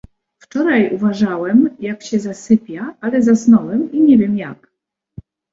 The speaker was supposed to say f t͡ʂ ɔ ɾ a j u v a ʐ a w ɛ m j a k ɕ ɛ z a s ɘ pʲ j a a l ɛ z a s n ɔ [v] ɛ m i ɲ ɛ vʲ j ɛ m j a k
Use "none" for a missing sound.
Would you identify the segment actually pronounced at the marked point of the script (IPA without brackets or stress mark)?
w